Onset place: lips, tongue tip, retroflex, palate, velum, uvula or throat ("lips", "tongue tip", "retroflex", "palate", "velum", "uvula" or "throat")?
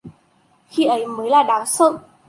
velum